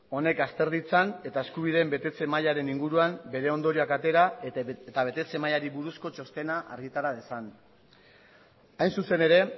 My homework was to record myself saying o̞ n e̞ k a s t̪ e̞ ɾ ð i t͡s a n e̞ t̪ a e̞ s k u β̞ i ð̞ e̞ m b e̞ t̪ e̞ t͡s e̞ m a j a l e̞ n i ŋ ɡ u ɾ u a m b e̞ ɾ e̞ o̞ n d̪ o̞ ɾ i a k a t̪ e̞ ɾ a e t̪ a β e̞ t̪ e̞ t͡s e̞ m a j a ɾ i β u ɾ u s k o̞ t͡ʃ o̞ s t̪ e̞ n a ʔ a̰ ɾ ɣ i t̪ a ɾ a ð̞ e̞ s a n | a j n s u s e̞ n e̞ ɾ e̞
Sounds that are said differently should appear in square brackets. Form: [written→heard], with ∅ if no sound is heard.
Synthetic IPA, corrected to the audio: o̞ n e̞ k a s t̪ e̞ ɾ ð i t͡s a n e̞ t̪ a e̞ s k u β̞ i ð̞ e̞ m b e̞ t̪ e̞ t͡s e̞ m a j a [l→ɾ] e̞ n i ŋ ɡ u ɾ u a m b e̞ ɾ e̞ o̞ n d̪ o̞ ɾ i a k a t̪ e̞ ɾ a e t̪ a β e̞ t̪ e̞ t͡s e̞ m a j a ɾ i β u ɾ u s k o̞ t͡ʃ o̞ s t̪ e̞ n a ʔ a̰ ɾ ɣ i t̪ a ɾ a ð̞ e̞ s a n | a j n s u s e̞ n e̞ ɾ e̞

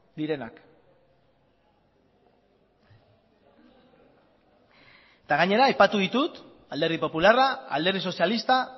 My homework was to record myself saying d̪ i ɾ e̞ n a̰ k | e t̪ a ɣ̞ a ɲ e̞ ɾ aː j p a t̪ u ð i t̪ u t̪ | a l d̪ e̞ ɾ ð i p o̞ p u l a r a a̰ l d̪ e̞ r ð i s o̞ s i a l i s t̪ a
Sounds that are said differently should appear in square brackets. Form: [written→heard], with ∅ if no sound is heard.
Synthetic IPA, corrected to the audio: d̪ i ɾ e̞ n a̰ k | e t̪ a ɣ̞ a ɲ e̞ ɾ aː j p a t̪ u ð i t̪ u t̪ | a l d̪ e̞ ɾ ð i p o̞ p u l a r a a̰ l d̪ e̞ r ð i s o̞ s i a l i s t̪ a

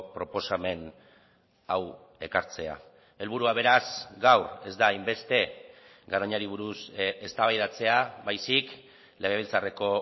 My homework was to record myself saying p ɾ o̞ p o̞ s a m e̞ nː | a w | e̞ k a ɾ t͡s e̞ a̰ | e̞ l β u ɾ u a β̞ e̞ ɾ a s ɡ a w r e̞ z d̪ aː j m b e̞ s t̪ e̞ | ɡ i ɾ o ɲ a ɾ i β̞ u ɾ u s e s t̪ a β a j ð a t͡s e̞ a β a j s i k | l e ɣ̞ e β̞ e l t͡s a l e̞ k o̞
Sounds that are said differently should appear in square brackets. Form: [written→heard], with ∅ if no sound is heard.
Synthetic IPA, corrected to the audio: p ɾ o̞ p o̞ s a m e̞ [nː→n] | a w | e̞ k a ɾ t͡s e̞ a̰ | e̞ l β u ɾ u a β̞ e̞ ɾ a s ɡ a w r e̞ z d̪ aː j m b e̞ s t̪ e̞ | ɡ [i→a] ɾ o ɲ a ɾ i β̞ u ɾ u s e s t̪ a β a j ð a t͡s e̞ a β a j s i k | l e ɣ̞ e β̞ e l t͡s a [l→r] e̞ k o̞

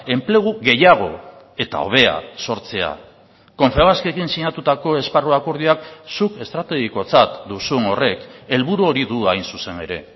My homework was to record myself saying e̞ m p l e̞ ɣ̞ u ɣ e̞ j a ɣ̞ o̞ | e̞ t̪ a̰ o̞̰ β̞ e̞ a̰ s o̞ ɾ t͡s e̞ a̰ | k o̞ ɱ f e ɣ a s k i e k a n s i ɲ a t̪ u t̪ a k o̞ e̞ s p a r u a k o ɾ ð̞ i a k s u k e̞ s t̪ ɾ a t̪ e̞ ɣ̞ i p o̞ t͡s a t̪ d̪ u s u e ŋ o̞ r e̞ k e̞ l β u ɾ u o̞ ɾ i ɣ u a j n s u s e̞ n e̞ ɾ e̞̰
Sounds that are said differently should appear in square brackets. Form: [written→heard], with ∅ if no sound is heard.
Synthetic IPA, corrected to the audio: e̞ m p l e̞ ɣ̞ u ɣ e̞ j a ɣ̞ o̞ | e̞ t̪ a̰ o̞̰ β̞ e̞ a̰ s o̞ ɾ t͡s e̞ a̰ | k o̞ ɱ f e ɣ a s k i e k [a→i] n s i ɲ a t̪ u t̪ a k o̞ e̞ s p a r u a k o ɾ ð̞ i a k s u k e̞ s t̪ ɾ a t̪ e̞ ɣ̞ i [p→k] o̞ t͡s a t̪ d̪ u s u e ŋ o̞ r e̞ k e̞ l β u ɾ u o̞ ɾ i [ɣ→ð] u a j n s u s e̞ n e̞ ɾ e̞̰

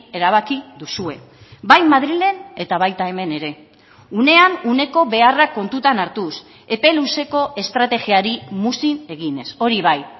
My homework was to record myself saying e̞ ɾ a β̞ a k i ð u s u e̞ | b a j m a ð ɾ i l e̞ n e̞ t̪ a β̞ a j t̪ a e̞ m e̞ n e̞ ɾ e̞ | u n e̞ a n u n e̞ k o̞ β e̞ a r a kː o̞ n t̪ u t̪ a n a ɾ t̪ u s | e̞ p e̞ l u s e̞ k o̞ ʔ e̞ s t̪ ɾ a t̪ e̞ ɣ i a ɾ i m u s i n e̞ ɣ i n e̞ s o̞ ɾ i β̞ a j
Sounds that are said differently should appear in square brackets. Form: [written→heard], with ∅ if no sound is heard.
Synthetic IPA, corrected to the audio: e̞ ɾ a β̞ a k i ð u s u e̞ | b a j m a ð ɾ i l e̞ n e̞ t̪ a β̞ a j t̪ a e̞ m e̞ n e̞ ɾ e̞ | u n e̞ a n u n e̞ k o̞ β e̞ a r a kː o̞ n t̪ u t̪ a n a ɾ t̪ u s | e̞ p e̞ l u s e̞ k o̞ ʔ e̞ s t̪ ɾ a t̪ e̞ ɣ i a ɾ i m u s i n e̞ ɣ i n e̞ s o̞ ɾ i β̞ a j

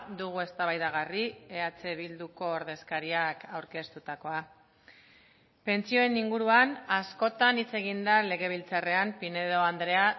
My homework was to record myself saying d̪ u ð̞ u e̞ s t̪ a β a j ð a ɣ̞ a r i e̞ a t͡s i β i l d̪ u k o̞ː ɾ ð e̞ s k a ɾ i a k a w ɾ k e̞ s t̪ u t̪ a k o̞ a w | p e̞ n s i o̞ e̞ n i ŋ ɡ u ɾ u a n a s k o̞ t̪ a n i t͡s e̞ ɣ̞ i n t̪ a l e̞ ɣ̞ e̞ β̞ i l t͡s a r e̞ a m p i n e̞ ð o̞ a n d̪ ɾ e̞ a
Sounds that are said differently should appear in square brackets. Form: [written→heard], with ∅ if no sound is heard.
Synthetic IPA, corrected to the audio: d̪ u [ð̞→ɣ̞] u e̞ s t̪ a β a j ð a ɣ̞ a r i e̞ a t͡s [i→e] β i l d̪ u k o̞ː ɾ ð e̞ s k a ɾ i a k a w ɾ k e̞ s t̪ u t̪ a k o̞ a [w→∅] | p e̞ n [s→t͡s] i o̞ e̞ n i ŋ ɡ u ɾ u a n a s k o̞ t̪ a n i t͡s e̞ ɣ̞ i n [t̪→d̪] a l e̞ ɣ̞ e̞ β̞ i l t͡s a r e̞ a m p i n e̞ ð o̞ a n d̪ ɾ e̞ a

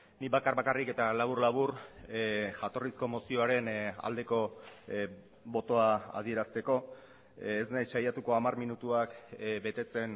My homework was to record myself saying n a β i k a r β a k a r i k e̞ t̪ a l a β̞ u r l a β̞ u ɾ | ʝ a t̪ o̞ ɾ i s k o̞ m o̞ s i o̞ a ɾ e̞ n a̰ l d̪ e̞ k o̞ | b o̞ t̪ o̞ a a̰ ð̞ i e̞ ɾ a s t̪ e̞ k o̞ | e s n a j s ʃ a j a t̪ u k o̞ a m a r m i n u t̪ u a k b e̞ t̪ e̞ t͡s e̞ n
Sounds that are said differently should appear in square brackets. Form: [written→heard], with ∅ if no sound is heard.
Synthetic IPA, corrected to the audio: n [a→i] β [i→a] k a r β a k a r i k e̞ t̪ a l a β̞ u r l a β̞ u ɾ | ʝ a t̪ o̞ [ɾ→r] i s k o̞ m o̞ s i o̞ a ɾ e̞ n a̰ l d̪ e̞ k o̞ | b o̞ t̪ o̞ a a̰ ð̞ i e̞ ɾ a s t̪ e̞ k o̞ | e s n a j s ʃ a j a t̪ u k o̞ a m a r m i n u t̪ u a k b e̞ t̪ e̞ t͡s e̞ n

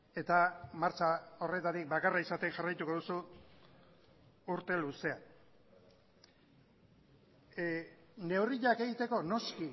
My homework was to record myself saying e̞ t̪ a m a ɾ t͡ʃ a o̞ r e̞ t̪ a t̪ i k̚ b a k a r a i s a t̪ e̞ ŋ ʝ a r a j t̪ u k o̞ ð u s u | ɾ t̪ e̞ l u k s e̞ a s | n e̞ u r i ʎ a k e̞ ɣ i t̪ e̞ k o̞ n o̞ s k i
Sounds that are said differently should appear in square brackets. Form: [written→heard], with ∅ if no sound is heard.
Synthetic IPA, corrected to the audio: e̞ t̪ a m a ɾ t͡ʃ a o̞ r e̞ t̪ a t̪ i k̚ b a k a r a i s a t̪ e̞ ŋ ʝ a r a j t̪ u k o̞ ð u s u | ɾ t̪ e̞ l u [k→∅] s e̞ a [s→∅] | n e̞ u r i ʎ a k e̞ ɣ i t̪ e̞ k o̞ n o̞ s k i

